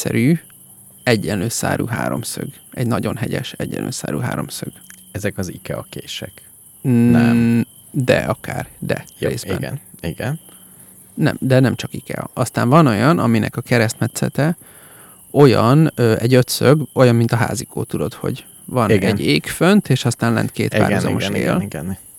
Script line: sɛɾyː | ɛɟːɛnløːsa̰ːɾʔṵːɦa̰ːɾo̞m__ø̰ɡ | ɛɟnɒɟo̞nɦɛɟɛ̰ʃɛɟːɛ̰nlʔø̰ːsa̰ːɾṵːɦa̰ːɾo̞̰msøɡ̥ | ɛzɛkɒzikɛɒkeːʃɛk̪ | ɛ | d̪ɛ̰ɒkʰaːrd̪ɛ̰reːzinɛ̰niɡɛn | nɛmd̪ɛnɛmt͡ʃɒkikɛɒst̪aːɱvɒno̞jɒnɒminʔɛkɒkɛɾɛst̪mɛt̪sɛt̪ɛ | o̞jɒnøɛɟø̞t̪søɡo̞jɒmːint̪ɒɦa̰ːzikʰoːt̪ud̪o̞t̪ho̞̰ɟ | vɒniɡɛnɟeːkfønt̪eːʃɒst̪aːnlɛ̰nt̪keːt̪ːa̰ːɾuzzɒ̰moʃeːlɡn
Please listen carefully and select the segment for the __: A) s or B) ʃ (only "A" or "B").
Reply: A